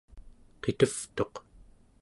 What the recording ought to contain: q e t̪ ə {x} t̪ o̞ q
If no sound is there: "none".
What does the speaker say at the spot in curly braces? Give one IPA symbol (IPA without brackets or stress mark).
f